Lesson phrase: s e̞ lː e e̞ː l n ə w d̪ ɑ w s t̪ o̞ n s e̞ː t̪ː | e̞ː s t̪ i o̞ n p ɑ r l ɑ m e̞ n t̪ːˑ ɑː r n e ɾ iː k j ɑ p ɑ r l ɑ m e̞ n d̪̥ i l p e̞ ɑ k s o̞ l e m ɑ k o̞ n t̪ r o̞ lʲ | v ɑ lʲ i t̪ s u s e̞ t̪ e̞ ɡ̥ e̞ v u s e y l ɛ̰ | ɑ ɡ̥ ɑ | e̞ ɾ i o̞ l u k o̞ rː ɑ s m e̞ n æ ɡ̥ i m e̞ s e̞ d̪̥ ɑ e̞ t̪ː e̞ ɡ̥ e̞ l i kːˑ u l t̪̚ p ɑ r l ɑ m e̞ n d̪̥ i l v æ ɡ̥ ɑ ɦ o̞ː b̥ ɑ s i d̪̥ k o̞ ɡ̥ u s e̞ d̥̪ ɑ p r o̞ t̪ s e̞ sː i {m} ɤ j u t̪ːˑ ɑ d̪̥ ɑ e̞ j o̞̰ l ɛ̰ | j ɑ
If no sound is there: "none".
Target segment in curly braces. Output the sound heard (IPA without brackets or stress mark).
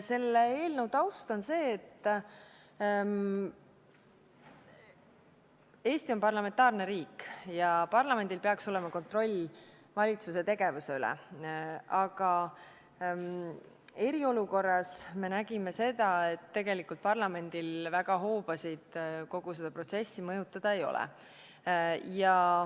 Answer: m